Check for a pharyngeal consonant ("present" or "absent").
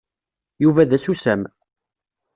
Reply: absent